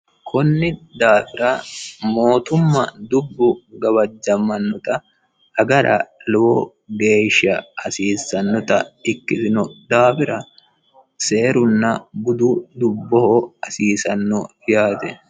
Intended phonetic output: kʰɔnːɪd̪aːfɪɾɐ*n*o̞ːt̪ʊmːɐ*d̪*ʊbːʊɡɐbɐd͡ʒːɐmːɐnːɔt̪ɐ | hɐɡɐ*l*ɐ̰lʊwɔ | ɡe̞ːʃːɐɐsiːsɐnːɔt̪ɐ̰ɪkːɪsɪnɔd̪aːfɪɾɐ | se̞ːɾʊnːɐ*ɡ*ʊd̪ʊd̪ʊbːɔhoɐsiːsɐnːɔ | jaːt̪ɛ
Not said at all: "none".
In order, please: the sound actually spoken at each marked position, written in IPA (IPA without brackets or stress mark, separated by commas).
m, d̪, ɾ, b